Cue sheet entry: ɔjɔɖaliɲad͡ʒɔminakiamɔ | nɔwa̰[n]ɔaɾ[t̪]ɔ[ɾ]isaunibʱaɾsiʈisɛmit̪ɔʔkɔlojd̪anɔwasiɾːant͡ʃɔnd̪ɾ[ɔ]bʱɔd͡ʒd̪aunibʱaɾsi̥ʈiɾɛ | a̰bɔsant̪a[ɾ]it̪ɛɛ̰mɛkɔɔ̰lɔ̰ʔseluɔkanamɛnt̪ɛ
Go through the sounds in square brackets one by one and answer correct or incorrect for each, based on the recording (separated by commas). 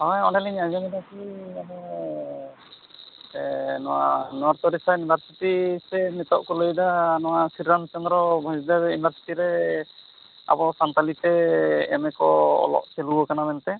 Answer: correct, correct, correct, correct, incorrect